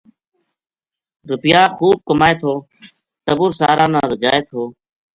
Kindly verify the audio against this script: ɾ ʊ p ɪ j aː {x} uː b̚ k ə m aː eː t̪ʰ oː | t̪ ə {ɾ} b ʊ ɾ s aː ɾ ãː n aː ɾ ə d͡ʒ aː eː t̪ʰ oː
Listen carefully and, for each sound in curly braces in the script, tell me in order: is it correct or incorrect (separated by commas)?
correct, incorrect